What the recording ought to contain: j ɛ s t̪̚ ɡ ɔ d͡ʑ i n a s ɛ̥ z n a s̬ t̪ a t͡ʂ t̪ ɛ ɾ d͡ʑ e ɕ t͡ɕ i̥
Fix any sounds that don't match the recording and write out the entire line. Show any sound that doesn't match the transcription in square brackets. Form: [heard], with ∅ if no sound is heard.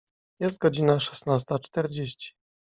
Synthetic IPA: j ɛ s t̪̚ ɡ ɔ d͡ʑ i n a [ʂ] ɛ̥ [s] n a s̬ t̪ a t͡ʂ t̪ ɛ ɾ d͡ʑ e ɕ t͡ɕ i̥